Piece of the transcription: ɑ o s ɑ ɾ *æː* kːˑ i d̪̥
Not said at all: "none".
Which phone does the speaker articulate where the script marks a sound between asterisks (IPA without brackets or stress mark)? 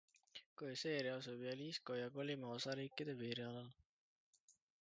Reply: iː